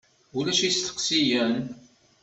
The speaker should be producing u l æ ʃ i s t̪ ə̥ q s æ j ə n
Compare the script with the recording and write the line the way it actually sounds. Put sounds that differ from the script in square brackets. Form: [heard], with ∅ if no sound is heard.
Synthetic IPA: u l æ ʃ i s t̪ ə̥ q s [i] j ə n